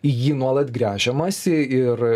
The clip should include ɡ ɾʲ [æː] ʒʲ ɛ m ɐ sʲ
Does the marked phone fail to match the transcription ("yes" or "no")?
no